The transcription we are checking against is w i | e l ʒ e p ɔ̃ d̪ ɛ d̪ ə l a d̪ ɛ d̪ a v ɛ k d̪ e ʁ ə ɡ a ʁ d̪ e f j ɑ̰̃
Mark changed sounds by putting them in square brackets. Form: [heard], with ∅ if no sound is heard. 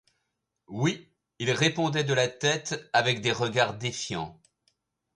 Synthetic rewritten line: w i | [i] l [ʁ] e p ɔ̃ d̪ ɛ d̪ ə l a [t̪] ɛ [t̪] a v ɛ k d̪ e ʁ ə ɡ a ʁ d̪ e f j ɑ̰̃